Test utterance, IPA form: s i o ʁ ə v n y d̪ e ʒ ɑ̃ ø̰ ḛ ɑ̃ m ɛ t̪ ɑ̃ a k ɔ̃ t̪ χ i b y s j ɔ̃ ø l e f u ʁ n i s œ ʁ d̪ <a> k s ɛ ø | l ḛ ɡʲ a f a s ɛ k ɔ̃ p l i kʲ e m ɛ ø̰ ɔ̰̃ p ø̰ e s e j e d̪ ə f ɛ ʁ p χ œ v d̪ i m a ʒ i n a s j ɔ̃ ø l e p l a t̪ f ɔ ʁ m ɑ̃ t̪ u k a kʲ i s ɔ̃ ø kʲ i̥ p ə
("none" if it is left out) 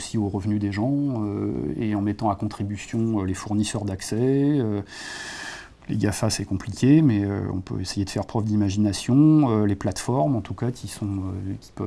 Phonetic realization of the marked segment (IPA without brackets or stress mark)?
a